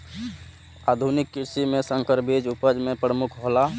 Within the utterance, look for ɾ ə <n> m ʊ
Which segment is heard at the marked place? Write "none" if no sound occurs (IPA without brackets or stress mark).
none